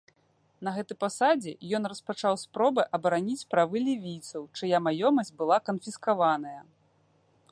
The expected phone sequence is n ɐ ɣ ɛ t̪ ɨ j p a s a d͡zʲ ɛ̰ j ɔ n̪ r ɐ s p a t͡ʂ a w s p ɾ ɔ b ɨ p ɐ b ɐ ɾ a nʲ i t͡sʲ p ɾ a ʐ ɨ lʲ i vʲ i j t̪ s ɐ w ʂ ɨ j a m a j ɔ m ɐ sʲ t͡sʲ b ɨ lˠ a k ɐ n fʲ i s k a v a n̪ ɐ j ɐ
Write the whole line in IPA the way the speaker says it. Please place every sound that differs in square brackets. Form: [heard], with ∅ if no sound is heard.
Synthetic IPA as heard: n ɐ ɣ ɛ t̪ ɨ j p a s a d͡zʲ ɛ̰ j ɔ n̪ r ɐ s p a t͡ʂ a w s p ɾ ɔ b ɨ [ʔ] ɐ b ɐ ɾ a nʲ i t͡sʲ p ɾ a [v] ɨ lʲ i vʲ i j t̪ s ɐ w [t͡ʂ] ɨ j a m a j ɔ m ɐ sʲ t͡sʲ b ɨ lˠ a k ɐ n fʲ i s k a v a n̪ ɐ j ɐ